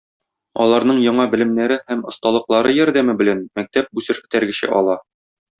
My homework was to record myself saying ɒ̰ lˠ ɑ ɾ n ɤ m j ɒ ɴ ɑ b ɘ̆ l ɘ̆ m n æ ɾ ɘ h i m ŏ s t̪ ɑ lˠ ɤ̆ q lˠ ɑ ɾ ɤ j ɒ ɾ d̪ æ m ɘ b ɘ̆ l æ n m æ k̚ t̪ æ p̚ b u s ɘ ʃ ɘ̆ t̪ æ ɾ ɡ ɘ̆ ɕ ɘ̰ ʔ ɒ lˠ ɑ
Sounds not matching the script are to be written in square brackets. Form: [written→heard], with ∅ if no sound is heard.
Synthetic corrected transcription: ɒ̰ lˠ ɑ ɾ n ɤ [m→ɴ] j ɒ ɴ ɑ b ɘ̆ l ɘ̆ m n æ ɾ ɘ h [i→æ] m ŏ s t̪ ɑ lˠ ɤ̆ q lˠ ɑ ɾ ɤ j ɒ ɾ d̪ æ m ɘ b ɘ̆ l æ n m æ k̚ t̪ æ p̚ b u s ɘ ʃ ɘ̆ t̪ æ ɾ ɡ ɘ̆ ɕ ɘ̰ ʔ ɒ lˠ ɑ